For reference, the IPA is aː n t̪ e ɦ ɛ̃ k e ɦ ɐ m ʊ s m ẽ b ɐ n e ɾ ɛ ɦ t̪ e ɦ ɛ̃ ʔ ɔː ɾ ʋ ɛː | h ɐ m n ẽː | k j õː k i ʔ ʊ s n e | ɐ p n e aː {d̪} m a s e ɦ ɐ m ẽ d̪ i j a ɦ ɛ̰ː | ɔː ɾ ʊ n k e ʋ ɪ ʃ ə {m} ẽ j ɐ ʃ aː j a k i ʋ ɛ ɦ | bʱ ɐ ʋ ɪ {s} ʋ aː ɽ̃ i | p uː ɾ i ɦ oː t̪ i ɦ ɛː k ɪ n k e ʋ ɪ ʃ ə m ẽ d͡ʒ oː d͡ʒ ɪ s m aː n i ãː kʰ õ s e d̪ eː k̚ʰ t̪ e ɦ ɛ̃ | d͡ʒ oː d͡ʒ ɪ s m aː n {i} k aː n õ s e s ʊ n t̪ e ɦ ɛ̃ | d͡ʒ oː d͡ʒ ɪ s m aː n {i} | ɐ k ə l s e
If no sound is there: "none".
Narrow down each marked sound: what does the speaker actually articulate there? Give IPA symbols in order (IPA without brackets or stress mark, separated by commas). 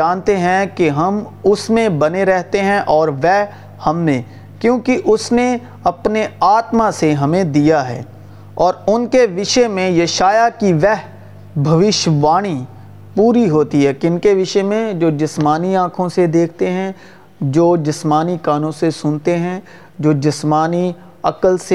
t̪, m, ʃ, i, i